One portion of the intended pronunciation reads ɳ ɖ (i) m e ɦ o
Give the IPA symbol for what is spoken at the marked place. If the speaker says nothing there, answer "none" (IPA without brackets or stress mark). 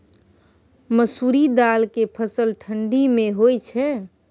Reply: i